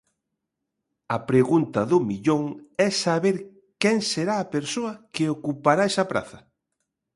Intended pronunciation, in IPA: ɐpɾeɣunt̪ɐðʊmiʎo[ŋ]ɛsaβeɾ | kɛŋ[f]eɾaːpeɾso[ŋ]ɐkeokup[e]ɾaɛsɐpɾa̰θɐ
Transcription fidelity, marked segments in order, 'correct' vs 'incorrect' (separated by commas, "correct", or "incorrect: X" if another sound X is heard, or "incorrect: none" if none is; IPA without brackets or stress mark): correct, incorrect: s, incorrect: none, incorrect: a